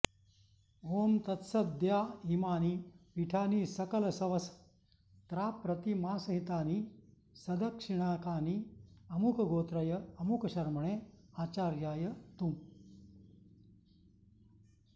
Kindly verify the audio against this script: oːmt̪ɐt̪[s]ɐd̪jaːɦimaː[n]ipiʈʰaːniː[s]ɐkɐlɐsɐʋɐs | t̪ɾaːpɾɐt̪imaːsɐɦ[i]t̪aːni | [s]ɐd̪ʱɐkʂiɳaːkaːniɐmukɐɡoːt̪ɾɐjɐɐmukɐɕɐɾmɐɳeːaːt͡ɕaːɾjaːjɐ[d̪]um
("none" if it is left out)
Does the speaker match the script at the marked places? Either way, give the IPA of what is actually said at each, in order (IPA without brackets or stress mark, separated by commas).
s, n, s, i, s, t̪